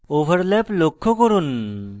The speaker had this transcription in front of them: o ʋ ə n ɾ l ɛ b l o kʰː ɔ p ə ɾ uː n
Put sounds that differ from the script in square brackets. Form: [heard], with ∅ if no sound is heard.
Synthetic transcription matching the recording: o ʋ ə [∅] ɾ l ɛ [p] l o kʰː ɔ [k] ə ɾ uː n